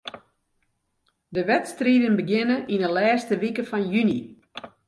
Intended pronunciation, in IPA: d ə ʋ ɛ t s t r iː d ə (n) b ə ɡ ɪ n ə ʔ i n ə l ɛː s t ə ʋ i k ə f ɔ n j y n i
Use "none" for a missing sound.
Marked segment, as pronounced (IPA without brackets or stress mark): n